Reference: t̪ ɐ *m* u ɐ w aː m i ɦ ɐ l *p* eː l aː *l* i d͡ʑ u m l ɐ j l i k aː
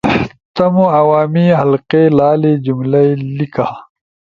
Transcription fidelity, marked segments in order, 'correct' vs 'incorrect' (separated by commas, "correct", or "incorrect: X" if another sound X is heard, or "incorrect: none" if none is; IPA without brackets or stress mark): correct, incorrect: q, correct